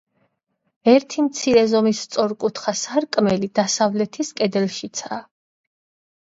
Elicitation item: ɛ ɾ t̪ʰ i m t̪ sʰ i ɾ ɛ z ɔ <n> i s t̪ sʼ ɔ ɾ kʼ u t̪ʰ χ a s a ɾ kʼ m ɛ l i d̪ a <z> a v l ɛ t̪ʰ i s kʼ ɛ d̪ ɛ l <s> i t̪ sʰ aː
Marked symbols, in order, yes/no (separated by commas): no, no, no